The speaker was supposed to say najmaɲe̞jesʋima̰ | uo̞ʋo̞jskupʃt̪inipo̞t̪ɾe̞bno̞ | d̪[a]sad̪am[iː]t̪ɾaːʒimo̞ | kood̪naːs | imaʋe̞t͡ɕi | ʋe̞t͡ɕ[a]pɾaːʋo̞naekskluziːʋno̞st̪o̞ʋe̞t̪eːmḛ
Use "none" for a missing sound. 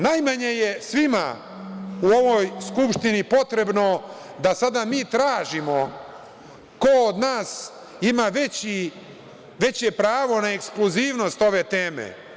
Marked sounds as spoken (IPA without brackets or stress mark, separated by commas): a, iː, e